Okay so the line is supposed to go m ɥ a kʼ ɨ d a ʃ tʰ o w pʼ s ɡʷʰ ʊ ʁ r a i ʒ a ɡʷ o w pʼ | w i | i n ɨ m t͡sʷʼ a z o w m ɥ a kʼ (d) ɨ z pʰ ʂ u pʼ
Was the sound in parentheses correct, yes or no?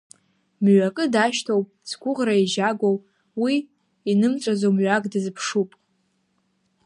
yes